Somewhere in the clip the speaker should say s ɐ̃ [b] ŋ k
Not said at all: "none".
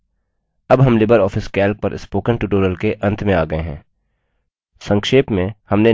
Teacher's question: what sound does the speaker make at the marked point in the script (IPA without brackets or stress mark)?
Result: none